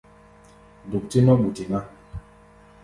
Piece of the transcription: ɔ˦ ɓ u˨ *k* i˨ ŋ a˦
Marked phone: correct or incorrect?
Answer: incorrect